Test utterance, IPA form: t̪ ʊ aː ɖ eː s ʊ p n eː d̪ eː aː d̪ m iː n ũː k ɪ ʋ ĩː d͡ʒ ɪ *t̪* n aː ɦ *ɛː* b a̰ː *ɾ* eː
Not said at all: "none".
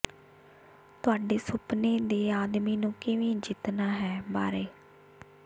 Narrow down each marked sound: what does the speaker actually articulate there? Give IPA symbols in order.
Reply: t̪, ɛː, ɾ

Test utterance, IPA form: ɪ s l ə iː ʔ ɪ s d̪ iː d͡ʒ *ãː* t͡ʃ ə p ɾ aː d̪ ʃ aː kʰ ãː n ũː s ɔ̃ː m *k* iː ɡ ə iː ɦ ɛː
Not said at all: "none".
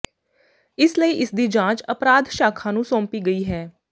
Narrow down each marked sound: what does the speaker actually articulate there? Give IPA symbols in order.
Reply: ãː, p

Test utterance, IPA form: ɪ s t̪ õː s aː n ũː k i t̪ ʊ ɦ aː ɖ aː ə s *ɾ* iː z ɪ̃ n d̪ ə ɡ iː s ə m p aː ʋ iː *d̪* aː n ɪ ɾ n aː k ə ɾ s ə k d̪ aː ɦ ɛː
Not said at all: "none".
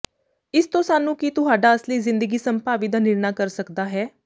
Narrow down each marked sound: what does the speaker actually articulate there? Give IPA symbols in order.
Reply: l, d̪

